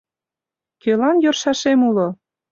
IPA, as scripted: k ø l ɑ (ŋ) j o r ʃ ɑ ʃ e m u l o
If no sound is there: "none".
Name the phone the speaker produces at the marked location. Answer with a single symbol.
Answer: n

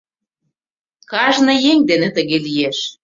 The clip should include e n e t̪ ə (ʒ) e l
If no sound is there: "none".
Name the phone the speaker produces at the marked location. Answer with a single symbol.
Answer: ɣ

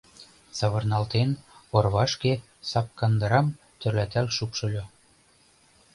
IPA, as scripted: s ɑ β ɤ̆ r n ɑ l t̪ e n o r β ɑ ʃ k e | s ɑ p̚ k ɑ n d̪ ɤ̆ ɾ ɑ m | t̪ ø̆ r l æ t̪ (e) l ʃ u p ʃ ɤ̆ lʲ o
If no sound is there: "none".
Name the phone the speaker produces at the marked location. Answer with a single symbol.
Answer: æ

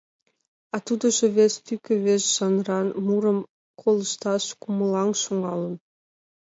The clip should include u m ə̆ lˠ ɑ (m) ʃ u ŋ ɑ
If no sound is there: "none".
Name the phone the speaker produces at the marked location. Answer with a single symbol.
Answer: ŋ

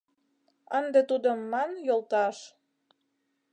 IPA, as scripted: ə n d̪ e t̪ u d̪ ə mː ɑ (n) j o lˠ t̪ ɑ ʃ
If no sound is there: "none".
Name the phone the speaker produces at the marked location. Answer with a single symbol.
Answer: n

